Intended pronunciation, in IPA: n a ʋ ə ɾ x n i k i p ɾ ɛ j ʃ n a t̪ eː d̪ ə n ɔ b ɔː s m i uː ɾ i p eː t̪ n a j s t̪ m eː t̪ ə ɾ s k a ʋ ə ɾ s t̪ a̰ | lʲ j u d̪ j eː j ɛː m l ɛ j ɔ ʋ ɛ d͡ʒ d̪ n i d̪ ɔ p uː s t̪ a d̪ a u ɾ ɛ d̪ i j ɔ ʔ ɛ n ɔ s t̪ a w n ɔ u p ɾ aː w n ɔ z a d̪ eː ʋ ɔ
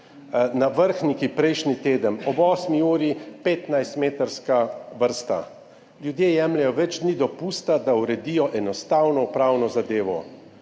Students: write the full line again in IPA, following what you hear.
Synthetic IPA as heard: n a ʋ ə ɾ x n i k i p ɾ ɛ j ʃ n i t̪ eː d̪ ə n ɔ b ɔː s m i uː ɾ i p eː t̪ n a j s t̪ m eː t̪ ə ɾ s k a ʋ ə ɾ s t̪ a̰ | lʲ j u d̪ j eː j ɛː m l ɛ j ɔ ʋ ɛ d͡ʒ d̪ n i d̪ ɔ p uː s t̪ a d̪ a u ɾ ɛ d̪ i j ɔ ʔ ɛ n ɔ s t̪ a w n ɔ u p ɾ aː w n ɔ z a d̪ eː ʋ ɔ